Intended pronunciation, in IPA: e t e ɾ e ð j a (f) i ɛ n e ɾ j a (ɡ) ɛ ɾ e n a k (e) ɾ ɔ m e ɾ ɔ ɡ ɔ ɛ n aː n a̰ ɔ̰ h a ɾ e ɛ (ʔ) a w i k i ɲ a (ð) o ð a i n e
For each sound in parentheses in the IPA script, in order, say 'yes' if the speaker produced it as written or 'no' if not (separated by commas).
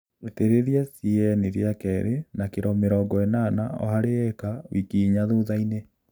no, no, yes, no, yes